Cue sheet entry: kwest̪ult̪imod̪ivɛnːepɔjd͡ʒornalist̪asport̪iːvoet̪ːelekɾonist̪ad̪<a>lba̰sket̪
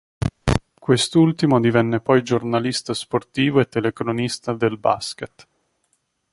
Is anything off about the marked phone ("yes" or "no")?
yes